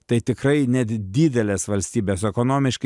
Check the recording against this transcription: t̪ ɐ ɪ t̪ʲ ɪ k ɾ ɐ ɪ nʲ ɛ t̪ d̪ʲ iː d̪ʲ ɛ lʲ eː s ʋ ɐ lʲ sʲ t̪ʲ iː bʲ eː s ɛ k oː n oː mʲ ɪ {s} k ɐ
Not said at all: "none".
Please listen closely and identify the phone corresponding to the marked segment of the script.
ʃ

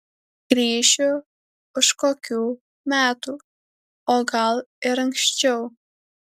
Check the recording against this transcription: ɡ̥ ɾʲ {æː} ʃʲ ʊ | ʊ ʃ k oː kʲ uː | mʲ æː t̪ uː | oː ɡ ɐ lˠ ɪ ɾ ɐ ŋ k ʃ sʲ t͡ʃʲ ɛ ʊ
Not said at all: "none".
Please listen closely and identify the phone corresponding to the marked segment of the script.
iː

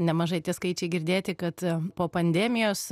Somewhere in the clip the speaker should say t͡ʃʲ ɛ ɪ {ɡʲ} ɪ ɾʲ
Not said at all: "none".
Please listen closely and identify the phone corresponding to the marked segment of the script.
ɡʲ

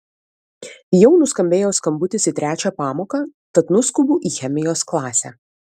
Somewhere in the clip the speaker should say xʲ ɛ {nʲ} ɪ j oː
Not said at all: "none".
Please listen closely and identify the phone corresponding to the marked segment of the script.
mʲ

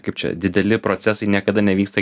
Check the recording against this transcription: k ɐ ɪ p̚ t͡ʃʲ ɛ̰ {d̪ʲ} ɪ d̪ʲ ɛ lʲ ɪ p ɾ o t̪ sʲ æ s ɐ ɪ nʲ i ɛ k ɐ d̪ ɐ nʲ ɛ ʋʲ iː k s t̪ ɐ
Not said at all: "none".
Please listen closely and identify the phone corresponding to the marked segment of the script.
d̪ʲ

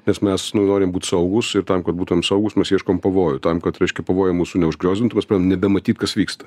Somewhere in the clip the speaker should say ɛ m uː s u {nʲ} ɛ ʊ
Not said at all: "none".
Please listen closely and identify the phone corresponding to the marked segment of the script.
nʲ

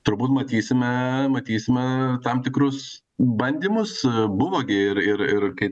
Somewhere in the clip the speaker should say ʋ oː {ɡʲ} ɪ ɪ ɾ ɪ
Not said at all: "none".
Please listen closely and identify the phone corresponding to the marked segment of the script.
ɡʲ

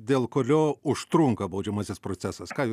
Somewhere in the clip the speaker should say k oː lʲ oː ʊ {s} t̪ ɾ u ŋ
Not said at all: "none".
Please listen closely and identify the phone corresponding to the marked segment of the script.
ʃ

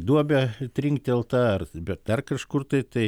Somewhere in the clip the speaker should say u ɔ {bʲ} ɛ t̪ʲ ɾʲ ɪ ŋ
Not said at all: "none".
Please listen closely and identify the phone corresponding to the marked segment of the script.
bʲ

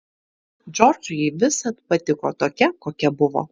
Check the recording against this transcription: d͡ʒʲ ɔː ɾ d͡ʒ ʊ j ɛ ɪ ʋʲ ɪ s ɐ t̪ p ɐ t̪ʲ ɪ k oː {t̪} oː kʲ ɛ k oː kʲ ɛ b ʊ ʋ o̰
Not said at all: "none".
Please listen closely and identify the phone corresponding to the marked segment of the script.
t̪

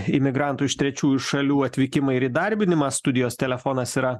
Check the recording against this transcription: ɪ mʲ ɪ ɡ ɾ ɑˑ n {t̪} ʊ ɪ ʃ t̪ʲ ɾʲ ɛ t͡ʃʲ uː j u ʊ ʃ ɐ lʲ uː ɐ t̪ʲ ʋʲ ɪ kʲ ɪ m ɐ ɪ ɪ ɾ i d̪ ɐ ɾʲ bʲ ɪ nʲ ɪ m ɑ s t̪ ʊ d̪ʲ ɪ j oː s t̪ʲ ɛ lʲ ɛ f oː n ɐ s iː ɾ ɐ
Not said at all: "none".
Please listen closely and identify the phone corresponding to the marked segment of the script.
t̪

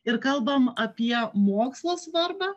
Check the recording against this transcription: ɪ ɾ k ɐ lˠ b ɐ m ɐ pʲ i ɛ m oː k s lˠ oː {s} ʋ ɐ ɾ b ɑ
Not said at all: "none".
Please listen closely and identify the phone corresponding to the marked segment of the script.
s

